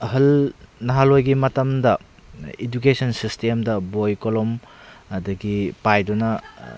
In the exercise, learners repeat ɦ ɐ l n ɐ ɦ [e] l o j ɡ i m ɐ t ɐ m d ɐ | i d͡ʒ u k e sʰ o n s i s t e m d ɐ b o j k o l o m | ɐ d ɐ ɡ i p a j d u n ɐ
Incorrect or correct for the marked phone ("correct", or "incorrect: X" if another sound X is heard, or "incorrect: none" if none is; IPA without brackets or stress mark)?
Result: incorrect: a